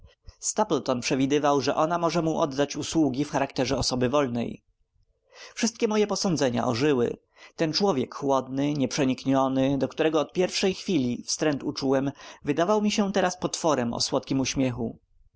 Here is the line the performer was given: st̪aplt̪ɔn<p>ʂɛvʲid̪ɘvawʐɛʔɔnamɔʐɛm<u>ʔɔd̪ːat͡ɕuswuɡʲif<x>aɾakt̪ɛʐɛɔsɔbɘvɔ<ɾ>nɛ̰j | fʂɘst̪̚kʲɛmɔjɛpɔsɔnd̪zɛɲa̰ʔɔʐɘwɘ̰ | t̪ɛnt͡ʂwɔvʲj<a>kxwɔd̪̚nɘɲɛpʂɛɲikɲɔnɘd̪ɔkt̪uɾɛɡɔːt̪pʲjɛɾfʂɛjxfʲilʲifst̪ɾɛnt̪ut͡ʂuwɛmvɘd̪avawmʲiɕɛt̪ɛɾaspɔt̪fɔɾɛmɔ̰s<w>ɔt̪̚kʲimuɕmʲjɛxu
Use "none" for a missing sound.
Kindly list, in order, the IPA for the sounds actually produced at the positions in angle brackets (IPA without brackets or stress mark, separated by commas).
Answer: p, u, x, l, ɛ, w